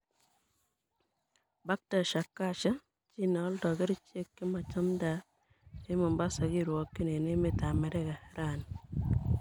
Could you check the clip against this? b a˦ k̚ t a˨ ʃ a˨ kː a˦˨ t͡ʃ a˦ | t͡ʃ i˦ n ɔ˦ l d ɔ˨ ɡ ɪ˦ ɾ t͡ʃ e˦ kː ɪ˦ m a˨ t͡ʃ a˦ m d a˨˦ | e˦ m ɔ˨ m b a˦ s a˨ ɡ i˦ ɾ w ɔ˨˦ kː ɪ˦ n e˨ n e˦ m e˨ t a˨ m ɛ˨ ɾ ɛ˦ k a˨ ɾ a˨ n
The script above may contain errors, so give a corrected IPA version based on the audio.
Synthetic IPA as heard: b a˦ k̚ t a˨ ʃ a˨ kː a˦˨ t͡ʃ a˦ | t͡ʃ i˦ n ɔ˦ l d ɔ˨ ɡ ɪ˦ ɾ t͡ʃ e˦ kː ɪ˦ m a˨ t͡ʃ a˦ m d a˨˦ | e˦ m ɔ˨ m b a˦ s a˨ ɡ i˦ ɾ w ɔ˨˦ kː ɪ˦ n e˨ n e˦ m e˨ t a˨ m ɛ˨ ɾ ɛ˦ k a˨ ɾ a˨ n